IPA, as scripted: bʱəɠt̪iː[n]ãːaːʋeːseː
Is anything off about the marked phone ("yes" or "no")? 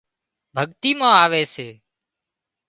yes